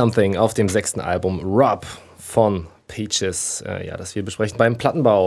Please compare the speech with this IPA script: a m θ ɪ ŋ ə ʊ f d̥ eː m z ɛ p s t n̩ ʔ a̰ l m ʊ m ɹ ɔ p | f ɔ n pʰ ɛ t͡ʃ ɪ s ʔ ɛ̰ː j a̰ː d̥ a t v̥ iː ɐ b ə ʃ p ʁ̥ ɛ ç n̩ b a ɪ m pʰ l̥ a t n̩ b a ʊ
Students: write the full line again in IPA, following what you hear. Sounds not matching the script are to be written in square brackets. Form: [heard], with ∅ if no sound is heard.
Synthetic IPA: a m θ ɪ ŋ [a] ʊ f d̥ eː m z ɛ [k] s t n̩ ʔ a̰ l [b] ʊ m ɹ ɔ p | f ɔ n pʰ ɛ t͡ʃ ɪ s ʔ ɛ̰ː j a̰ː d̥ a [s] v̥ iː ɐ b ə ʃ p ʁ̥ ɛ ç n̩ b a ɪ m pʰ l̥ a t n̩ b a ʊ